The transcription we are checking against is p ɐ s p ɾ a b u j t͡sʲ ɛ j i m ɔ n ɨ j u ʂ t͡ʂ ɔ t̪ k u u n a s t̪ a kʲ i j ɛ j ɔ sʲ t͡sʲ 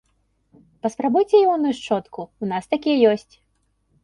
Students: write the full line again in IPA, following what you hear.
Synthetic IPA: p ɐ s p ɾ a b u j t͡sʲ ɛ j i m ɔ n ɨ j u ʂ t͡ʂ ɔ t̪ k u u n a s t̪ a kʲ i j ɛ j ɔ sʲ t͡sʲ